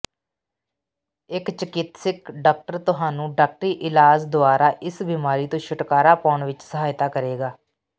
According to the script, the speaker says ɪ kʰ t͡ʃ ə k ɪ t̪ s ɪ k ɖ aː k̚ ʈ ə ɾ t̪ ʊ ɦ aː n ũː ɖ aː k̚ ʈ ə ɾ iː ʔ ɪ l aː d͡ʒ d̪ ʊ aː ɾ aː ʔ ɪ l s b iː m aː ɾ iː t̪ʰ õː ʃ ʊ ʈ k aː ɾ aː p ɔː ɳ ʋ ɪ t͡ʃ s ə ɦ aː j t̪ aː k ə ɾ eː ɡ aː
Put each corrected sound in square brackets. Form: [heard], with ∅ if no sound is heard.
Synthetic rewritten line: ɪ [k] t͡ʃ ə k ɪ t̪ s ɪ k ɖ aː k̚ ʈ ə ɾ t̪ ʊ ɦ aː n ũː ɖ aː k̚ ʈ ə ɾ iː ʔ ɪ l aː d͡ʒ d̪ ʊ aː ɾ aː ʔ ɪ [∅] s b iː m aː ɾ iː [t̪] õː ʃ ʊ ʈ k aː ɾ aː p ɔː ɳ ʋ ɪ t͡ʃ s ə ɦ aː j t̪ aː k ə ɾ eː ɡ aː

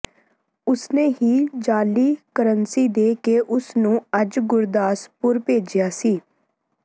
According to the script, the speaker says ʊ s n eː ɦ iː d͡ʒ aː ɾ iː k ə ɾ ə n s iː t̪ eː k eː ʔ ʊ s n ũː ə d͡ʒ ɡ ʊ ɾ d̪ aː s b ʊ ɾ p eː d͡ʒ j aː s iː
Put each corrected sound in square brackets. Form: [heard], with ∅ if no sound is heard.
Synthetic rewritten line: ʊ s n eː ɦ iː d͡ʒ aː [l] iː k ə ɾ ə n s iː [d̪] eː k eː ʔ ʊ s n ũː ə d͡ʒ ɡ ʊ ɾ d̪ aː s [p] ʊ ɾ p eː d͡ʒ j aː s iː

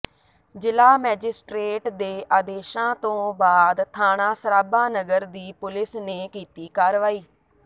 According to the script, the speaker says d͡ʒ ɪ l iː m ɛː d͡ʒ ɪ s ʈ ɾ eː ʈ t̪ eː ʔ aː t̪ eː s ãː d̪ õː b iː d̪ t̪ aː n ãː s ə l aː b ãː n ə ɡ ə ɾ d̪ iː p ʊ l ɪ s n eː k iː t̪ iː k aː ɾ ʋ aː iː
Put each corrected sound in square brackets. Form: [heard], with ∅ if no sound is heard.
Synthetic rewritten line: d͡ʒ ɪ l [aː] m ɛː d͡ʒ ɪ s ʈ ɾ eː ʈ [d̪] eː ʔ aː [d̪] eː [ʃ] ãː [t̪] õː b [aː] d̪ [t̪ʰ] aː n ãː s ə [ɾ] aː b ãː n ə ɡ ə ɾ d̪ iː p ʊ l ɪ s n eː k iː t̪ iː k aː ɾ ʋ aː iː

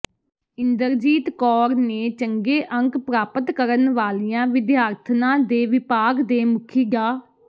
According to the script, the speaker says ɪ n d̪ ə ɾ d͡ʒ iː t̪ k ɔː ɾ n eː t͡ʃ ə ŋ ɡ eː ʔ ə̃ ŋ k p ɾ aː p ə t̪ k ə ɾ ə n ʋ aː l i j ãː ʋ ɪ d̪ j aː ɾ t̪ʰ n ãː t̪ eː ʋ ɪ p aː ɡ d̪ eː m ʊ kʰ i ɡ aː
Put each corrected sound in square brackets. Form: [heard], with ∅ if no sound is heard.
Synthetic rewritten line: ɪ n d̪ ə ɾ d͡ʒ iː t̪ k ɔː ɾ n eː t͡ʃ ə ŋ ɡ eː ʔ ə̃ ŋ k p ɾ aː p ə t̪ k ə ɾ ə n ʋ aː l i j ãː ʋ ɪ d̪ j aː ɾ t̪ʰ n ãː [d̪] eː ʋ ɪ p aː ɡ d̪ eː m ʊ kʰ [iː] ɡ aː

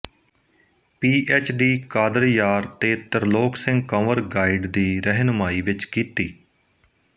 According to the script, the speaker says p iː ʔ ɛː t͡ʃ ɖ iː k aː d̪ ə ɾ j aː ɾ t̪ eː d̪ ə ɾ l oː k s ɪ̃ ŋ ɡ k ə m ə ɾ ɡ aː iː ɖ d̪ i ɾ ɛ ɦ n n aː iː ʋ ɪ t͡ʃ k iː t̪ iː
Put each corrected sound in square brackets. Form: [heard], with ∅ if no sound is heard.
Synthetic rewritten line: p iː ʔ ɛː t͡ʃ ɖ iː k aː d̪ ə ɾ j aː ɾ t̪ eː [t̪] ə ɾ l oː k s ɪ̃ ŋ ɡ k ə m ə ɾ ɡ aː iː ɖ d̪ [iː] ɾ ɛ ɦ n [m] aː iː ʋ ɪ t͡ʃ k iː t̪ iː

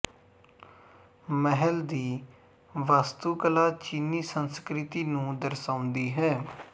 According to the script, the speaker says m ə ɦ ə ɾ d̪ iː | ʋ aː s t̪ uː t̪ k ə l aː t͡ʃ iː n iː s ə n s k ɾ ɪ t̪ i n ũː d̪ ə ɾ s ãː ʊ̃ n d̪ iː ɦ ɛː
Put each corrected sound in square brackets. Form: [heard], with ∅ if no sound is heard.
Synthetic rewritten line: m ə ɦ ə [l] d̪ iː | ʋ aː s t̪ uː [∅] k ə l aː t͡ʃ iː n iː s ə n s k ɾ ɪ t̪ [iː] n ũː d̪ ə ɾ s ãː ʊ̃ n d̪ iː ɦ ɛː

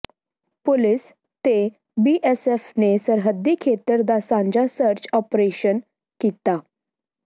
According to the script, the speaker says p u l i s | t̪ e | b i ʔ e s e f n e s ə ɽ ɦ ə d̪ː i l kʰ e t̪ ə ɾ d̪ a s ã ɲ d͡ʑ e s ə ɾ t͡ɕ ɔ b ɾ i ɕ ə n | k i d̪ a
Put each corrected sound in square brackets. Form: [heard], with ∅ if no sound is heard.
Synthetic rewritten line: p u l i s | t̪ e | b i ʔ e s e f n e s ə [ɾ] ɦ ə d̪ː i [∅] kʰ e t̪ ə ɾ d̪ a s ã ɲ d͡ʑ [a] s ə ɾ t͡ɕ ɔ [p] ɾ [e] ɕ ə n | k i [t̪] a

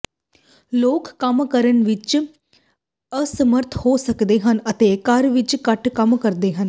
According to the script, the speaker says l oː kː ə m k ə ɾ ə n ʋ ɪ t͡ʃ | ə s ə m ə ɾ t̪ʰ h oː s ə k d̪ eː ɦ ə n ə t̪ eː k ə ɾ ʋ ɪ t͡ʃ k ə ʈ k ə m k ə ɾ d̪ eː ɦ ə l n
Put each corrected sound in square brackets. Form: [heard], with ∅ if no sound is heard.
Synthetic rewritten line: l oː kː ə m k ə ɾ ə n ʋ ɪ t͡ʃ | ə s ə m ə ɾ t̪ʰ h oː s ə k d̪ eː ɦ ə n ə t̪ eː k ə ɾ ʋ ɪ t͡ʃ k ə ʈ k ə m k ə ɾ d̪ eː ɦ ə [∅] n

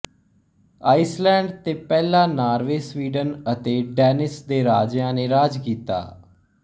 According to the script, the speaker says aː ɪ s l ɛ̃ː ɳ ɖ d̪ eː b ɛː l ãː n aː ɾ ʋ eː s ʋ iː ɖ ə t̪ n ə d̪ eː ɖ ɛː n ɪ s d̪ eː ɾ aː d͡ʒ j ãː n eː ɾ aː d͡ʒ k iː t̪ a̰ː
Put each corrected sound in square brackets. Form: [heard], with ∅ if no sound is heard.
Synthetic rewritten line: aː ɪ s l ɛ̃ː ɳ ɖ [t̪] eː [p] ɛː l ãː n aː ɾ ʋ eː s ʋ iː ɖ ə [∅] n ə [t̪] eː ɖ ɛː n ɪ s d̪ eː ɾ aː d͡ʒ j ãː n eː ɾ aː d͡ʒ k iː t̪ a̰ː

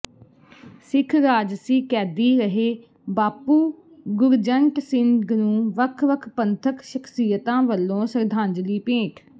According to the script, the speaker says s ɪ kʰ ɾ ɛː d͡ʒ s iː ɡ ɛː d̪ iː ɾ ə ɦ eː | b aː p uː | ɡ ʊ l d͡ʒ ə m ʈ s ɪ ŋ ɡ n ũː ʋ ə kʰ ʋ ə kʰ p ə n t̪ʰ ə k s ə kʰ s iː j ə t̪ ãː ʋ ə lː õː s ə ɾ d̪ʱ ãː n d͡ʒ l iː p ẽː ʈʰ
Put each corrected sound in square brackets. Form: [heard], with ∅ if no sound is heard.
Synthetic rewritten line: s ɪ kʰ ɾ [aː] d͡ʒ s iː [k] ɛː d̪ iː ɾ ə ɦ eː | b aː p uː | ɡ ʊ [ɾ] d͡ʒ ə [ɳ] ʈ s ɪ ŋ ɡ n ũː ʋ ə kʰ ʋ ə kʰ p ə n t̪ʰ ə k [ʃ] ə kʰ s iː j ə t̪ ãː ʋ ə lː õː s ə ɾ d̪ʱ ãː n d͡ʒ l iː p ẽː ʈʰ

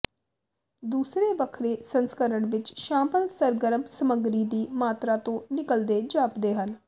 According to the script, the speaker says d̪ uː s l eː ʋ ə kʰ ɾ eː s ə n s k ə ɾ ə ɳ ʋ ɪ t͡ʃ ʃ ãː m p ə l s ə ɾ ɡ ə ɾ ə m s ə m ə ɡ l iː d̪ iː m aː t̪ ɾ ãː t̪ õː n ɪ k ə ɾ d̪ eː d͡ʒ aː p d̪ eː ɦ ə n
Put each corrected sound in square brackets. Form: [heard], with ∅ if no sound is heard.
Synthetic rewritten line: d̪ uː s [ɾ] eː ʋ ə kʰ ɾ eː s ə n s k ə ɾ ə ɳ ʋ ɪ t͡ʃ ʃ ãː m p ə l s ə ɾ ɡ ə ɾ ə m s ə m ə ɡ [ɾ] iː d̪ iː m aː t̪ ɾ [aː] t̪ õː n ɪ k ə [l] d̪ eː d͡ʒ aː p d̪ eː ɦ ə n

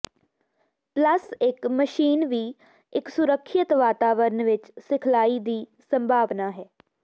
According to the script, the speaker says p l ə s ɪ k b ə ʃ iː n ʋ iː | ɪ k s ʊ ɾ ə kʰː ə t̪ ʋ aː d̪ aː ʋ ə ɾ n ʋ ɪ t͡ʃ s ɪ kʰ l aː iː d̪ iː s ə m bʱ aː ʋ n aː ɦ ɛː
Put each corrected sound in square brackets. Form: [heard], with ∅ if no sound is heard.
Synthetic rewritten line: p l ə s ɪ k [m] ə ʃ iː n ʋ iː | ɪ k s ʊ ɾ ə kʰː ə t̪ ʋ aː [t̪] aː ʋ ə ɾ n ʋ ɪ t͡ʃ s ɪ kʰ l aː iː d̪ iː s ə m bʱ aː ʋ n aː ɦ ɛː

